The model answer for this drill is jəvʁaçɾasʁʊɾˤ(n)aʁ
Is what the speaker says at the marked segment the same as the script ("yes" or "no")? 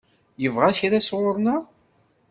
yes